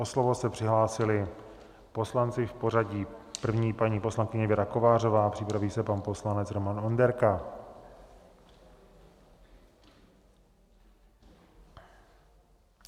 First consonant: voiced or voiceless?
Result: voiceless